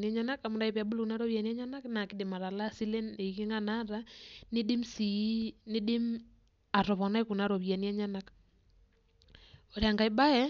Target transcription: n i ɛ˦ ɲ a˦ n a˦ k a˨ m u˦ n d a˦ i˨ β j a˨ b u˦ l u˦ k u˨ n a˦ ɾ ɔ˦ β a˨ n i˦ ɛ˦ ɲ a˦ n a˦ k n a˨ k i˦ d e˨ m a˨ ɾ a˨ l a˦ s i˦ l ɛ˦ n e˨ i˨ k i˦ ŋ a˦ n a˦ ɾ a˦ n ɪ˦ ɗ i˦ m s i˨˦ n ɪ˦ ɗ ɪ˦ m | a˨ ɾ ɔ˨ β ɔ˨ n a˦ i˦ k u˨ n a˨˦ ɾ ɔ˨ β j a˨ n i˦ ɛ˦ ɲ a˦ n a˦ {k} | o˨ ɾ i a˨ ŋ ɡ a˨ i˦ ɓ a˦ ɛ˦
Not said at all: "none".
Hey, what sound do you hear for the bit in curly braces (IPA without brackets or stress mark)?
k